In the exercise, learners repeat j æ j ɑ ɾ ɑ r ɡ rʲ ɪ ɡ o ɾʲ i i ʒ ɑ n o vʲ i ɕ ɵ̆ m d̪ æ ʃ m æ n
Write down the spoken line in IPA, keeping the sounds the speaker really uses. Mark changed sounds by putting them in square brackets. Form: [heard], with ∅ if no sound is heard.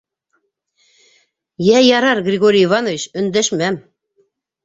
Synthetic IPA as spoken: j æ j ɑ ɾ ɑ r ɡ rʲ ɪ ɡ o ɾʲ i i [v] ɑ n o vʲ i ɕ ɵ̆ [n] d̪ æ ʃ m æ [m]